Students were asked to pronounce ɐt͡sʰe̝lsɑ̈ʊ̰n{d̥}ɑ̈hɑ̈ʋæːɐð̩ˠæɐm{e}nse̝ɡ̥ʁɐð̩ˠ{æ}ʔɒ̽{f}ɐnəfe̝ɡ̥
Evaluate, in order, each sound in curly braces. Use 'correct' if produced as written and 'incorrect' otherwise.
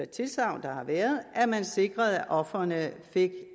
correct, incorrect: æ, correct, correct

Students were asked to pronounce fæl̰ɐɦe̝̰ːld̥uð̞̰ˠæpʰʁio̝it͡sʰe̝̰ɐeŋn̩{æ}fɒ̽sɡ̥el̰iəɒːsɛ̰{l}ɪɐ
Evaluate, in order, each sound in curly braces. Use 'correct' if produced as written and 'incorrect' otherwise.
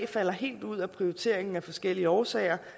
correct, incorrect: none

